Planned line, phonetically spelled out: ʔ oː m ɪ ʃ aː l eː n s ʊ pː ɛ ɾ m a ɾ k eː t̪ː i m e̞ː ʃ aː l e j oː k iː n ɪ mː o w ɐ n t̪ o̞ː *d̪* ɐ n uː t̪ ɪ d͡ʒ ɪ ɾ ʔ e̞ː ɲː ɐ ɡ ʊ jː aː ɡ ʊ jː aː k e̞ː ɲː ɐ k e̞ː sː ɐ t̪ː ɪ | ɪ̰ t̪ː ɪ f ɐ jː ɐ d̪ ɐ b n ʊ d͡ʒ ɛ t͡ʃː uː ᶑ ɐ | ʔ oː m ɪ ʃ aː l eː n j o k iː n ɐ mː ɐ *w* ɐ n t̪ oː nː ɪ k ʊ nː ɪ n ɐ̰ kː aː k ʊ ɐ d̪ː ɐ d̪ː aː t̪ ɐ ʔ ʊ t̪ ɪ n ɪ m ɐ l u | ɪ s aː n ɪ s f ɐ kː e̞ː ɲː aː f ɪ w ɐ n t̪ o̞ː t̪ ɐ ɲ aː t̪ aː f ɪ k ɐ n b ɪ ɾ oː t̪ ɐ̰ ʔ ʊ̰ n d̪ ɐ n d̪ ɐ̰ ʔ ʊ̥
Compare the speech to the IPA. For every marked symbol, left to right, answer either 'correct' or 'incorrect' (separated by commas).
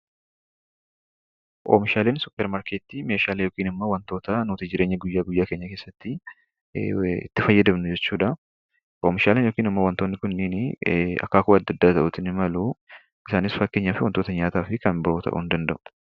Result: incorrect, correct